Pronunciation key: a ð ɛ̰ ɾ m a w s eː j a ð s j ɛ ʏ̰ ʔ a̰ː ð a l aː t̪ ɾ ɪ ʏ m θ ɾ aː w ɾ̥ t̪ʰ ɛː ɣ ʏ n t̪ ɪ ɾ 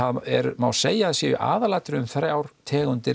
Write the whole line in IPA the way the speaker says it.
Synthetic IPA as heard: a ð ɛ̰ ɾ m a w s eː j a ð s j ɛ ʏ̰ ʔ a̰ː ð a l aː t̪ ɾ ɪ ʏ m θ ɾ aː w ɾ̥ t̪ʰ ɛː ɣ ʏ n t̪ ɪ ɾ